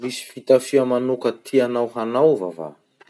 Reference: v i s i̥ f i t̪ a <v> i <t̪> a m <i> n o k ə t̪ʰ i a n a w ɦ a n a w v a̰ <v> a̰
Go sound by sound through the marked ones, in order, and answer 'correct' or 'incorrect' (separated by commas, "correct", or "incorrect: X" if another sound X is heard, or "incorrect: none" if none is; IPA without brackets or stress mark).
incorrect: f, incorrect: none, incorrect: a, correct